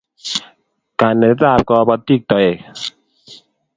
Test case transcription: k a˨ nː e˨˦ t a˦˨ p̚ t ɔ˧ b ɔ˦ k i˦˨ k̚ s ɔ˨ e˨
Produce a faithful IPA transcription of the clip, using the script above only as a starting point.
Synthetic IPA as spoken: k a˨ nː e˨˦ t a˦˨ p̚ k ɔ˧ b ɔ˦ t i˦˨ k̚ t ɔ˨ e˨

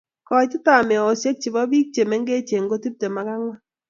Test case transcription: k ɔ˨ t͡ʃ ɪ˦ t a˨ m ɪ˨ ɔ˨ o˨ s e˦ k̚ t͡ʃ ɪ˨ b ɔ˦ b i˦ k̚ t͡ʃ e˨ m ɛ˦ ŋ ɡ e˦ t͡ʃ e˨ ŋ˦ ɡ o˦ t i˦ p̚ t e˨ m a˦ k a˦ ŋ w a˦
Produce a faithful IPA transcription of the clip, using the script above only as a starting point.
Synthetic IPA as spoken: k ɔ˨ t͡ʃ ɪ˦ t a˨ m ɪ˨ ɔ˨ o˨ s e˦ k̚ t͡ʃ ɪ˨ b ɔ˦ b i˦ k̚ t͡ʃ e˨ m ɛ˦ ŋ ɡ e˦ t͡ʃ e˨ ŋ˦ ɡ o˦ t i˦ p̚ t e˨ m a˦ k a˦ ŋ w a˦

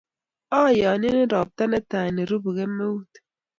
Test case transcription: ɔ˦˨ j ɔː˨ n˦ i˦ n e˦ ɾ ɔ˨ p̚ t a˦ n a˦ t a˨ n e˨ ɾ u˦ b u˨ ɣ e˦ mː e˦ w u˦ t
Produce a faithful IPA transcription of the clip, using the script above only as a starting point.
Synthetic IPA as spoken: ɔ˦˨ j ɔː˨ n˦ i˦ n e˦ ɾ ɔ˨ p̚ t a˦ n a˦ t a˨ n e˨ ɾ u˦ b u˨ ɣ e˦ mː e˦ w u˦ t

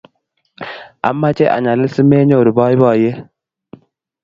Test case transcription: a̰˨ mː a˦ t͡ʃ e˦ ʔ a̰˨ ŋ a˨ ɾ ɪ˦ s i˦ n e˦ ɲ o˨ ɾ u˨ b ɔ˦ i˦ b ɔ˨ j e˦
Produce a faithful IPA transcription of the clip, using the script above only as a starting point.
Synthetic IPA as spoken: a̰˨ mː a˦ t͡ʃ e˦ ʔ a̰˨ ɲ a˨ l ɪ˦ s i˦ m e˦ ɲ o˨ ɾ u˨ b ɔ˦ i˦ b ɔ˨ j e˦

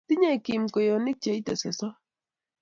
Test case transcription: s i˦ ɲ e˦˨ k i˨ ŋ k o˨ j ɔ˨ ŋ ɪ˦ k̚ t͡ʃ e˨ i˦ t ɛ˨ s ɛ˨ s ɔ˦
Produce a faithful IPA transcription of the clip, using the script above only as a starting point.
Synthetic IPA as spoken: t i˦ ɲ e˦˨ k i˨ m k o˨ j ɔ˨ n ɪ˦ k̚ t͡ʃ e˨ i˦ t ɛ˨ s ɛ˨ s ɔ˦

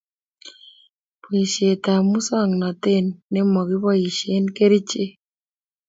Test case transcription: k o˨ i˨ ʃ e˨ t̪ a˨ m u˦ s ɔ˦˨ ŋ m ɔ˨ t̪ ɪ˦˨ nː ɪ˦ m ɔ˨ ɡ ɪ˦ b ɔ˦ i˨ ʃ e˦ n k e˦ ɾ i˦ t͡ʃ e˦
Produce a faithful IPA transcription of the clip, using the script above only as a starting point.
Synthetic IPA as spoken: p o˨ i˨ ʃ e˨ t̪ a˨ m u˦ s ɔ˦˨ ŋ n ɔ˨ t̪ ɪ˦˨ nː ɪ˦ m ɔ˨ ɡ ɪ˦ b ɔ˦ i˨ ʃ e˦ n k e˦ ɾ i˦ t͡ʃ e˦

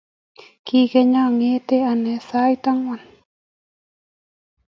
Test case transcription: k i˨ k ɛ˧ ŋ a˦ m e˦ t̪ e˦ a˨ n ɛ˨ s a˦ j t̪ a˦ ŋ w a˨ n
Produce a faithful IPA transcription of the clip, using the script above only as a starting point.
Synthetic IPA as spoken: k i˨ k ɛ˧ ɲ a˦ ŋ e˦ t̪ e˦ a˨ n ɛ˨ s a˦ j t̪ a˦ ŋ w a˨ n

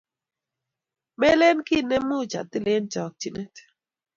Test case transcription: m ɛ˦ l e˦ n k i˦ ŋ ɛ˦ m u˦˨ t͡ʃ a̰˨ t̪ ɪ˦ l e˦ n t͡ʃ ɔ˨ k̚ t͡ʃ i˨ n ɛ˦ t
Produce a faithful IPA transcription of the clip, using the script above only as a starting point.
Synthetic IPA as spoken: m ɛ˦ l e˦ n k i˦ n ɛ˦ m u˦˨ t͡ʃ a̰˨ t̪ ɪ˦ l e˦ n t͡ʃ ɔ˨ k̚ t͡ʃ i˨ n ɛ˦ t

